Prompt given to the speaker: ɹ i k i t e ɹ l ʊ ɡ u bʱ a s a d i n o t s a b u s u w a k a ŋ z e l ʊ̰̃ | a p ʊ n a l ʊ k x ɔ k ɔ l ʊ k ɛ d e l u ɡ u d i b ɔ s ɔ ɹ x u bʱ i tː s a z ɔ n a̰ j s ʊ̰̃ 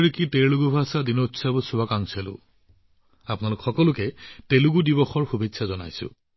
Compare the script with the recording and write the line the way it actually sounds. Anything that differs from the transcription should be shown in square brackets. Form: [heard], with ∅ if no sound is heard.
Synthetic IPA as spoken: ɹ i k i t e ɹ l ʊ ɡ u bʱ a s a d i n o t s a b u s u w a k a ŋ [s] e l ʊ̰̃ | a p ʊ n a l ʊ k x ɔ k ɔ l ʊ k ɛ [t] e l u ɡ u d i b ɔ [x] ɔ ɹ x u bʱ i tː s a z ɔ n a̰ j s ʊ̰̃

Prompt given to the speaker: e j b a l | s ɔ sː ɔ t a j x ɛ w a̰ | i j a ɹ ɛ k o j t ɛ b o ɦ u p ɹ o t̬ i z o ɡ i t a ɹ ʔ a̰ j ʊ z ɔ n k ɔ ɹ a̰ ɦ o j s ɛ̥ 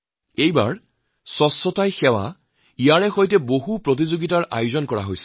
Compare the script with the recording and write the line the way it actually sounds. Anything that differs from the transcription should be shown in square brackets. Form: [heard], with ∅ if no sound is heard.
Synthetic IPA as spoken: e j b a [ɹ] | s ɔ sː ɔ t a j x ɛ w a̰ | i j a ɹ ɛ [x] o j t ɛ b o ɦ u p ɹ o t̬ i z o ɡ i t a ɹ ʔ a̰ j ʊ z ɔ n k ɔ ɹ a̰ ɦ o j s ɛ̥

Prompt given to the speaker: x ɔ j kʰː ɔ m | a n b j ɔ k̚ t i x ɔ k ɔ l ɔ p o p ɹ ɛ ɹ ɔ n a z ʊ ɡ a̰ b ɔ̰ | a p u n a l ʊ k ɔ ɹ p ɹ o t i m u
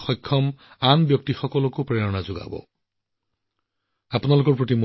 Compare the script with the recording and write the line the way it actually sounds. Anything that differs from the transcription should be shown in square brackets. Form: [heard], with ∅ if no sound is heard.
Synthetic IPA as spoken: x ɔ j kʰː ɔ m | a n b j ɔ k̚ t i x ɔ k ɔ l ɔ [k] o p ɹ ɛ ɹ ɔ n a z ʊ ɡ a̰ b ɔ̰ | a p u n a l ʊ k ɔ ɹ p ɹ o t i m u

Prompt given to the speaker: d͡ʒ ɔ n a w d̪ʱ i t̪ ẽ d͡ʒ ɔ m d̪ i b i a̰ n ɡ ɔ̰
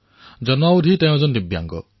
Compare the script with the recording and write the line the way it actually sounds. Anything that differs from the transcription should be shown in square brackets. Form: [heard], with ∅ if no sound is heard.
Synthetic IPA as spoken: d͡ʒ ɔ n a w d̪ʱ i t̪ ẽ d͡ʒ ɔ [n] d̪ i b [j] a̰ [ŋ] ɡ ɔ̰

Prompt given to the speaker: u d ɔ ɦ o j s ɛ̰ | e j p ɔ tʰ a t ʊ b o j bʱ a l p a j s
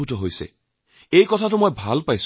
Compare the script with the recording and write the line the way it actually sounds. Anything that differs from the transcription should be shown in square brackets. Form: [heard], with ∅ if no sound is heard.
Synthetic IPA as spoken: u [t] ɔ ɦ o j s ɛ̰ | e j [k] ɔ tʰ a t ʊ [m] o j bʱ a l p a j s

